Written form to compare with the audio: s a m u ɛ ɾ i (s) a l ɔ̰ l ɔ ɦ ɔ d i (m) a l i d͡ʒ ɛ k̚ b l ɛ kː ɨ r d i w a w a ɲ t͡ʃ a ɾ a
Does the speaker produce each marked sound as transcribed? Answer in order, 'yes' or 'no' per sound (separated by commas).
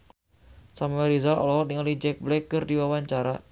no, no